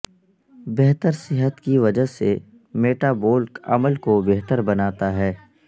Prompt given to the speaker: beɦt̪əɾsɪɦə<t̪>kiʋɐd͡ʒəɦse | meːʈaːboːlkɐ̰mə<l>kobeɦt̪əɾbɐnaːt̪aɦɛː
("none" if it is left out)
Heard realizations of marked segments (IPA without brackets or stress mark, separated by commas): t̪, l